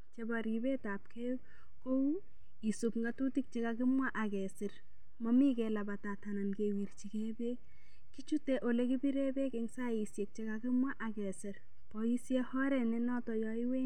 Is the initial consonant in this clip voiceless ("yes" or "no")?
yes